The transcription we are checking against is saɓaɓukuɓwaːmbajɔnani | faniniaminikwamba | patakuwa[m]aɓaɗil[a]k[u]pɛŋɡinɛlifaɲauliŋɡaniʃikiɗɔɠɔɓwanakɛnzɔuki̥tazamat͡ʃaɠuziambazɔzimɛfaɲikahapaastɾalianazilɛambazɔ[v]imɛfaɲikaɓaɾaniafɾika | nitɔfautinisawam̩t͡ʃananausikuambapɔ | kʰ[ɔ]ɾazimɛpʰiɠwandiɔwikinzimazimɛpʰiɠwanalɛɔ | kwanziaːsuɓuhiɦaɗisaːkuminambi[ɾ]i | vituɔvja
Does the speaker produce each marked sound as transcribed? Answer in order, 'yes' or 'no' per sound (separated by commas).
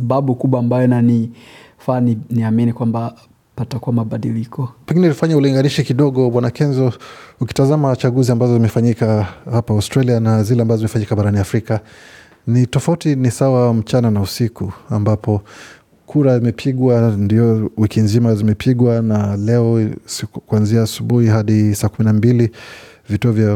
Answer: yes, no, no, no, no, no